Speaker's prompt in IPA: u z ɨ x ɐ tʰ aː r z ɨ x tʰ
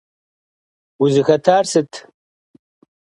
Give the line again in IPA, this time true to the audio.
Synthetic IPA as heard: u z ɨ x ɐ tʰ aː r s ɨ tʰ